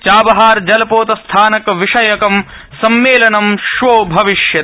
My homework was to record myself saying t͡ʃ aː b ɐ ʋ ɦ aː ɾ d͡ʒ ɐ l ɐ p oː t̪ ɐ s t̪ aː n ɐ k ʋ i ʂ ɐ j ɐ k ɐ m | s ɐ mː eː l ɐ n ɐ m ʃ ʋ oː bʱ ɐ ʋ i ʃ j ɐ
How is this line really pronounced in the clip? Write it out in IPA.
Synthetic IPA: t͡ʃ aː b ɐ ɦ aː ɾ d͡ʒ ɐ l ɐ p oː t̪ ɐ s t̪ʰ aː n ɐ k ʋ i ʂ ɐ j ɐ k ɐ m | s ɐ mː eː l ɐ n ɐ m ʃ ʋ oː bʱ ɐ ʋ i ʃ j ɐ